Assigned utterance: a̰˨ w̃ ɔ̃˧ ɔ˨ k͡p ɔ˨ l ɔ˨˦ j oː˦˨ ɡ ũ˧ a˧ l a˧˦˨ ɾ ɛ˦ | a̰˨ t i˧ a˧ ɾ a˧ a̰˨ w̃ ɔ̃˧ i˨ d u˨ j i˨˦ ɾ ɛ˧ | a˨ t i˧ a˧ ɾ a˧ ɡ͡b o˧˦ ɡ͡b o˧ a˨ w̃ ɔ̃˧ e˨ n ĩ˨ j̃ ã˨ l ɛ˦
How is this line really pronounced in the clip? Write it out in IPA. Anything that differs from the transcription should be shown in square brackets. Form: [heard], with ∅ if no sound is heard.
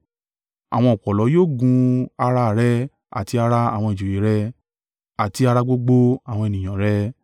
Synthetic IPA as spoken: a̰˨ w̃ ɔ̃˧ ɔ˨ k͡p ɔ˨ l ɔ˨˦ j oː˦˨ ɡ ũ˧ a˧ [ɾ] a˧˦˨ ɾ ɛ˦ | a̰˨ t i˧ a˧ ɾ a˧ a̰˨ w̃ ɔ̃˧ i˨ [d͡ʒ] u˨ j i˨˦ ɾ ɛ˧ | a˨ t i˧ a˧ ɾ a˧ ɡ͡b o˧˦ ɡ͡b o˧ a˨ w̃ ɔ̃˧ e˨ n ĩ˨ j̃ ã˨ [ɾ] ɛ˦